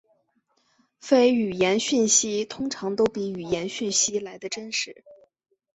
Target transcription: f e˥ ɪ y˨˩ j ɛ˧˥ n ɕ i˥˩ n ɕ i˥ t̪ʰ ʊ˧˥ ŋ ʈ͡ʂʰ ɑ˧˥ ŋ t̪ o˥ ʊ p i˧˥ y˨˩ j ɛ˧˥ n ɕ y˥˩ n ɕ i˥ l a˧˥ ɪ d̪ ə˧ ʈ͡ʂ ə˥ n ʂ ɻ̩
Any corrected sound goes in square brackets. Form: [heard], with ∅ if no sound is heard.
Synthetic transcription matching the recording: f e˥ ɪ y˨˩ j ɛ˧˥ n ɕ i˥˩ n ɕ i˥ t̪ʰ [ʊ˥] ŋ ʈ͡ʂʰ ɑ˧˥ ŋ t̪ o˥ ʊ p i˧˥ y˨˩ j ɛ˧˥ n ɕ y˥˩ n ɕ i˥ l a˧˥ ɪ d̪ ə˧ ʈ͡ʂ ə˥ n ʂ ɻ̩